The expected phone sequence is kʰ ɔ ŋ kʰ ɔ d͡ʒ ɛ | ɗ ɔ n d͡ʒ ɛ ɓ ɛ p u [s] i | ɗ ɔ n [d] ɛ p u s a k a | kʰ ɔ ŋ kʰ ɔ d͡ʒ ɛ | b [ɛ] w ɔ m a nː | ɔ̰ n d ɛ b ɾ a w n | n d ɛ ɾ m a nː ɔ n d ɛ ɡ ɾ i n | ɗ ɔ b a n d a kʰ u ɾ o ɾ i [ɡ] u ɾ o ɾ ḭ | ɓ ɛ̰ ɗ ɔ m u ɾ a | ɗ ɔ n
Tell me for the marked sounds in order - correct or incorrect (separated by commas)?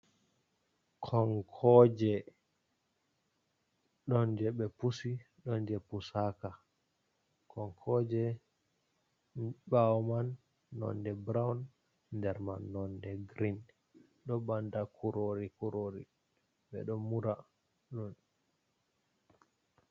correct, incorrect, incorrect, incorrect